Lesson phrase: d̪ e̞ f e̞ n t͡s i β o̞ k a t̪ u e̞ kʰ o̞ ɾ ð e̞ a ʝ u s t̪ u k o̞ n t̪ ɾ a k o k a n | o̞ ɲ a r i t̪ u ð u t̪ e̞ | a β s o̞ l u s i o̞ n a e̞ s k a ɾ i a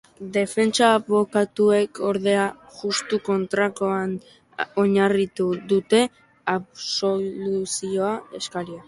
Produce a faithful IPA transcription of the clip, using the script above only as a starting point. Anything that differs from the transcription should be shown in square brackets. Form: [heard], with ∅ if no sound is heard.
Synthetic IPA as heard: d̪ e̞ f e̞ n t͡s [a] β o̞ k a t̪ u e̞ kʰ o̞ ɾ ð e̞ a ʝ u s t̪ u k o̞ n t̪ ɾ a k o [∅] a n | o̞ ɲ a r i t̪ u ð u t̪ e̞ | a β s o̞ l u s i o̞ [∅] a e̞ s k a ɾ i a